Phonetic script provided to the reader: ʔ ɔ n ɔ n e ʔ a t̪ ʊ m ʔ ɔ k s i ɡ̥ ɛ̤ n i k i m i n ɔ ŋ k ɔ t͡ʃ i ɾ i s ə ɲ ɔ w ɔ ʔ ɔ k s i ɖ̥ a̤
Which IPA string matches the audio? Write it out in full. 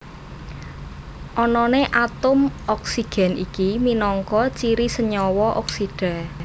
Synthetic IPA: ʔ ɔ n ɔ n e ʔ a t̪ ʊ m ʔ ɔ k s i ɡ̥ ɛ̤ n i k i m i n ɔ ŋ k ɔ t͡ʃ i ɾ i s ə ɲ ɔ w ɔ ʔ ɔ k s i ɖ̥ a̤